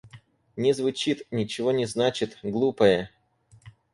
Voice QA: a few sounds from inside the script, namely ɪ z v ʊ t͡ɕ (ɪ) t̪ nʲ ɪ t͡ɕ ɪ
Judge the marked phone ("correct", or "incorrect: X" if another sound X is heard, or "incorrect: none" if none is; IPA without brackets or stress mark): incorrect: i